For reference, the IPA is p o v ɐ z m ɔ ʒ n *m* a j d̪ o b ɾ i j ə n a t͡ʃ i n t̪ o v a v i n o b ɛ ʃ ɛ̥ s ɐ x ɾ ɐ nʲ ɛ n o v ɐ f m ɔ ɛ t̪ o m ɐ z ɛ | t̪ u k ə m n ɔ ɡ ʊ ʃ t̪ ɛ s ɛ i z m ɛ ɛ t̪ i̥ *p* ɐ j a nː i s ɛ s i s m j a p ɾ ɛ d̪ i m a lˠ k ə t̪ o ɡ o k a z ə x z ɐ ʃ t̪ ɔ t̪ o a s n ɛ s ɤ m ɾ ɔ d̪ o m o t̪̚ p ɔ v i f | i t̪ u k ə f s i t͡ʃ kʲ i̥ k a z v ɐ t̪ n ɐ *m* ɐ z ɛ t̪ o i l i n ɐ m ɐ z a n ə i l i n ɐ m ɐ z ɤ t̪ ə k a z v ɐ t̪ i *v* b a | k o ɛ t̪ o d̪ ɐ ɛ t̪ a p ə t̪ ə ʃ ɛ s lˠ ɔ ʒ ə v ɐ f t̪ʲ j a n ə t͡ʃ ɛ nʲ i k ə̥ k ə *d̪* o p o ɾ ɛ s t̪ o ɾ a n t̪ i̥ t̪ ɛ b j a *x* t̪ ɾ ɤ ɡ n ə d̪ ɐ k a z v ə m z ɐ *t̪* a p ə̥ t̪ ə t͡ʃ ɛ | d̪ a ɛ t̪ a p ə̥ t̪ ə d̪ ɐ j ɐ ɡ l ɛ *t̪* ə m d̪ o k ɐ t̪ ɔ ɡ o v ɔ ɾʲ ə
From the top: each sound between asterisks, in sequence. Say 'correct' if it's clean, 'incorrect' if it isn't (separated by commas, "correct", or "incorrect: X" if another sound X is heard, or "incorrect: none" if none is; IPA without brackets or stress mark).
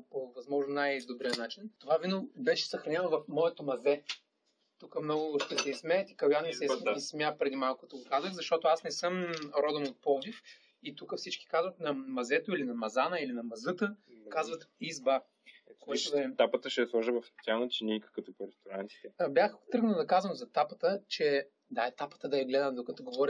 incorrect: n, incorrect: k, correct, incorrect: z, incorrect: t̪, correct, correct, incorrect: d̪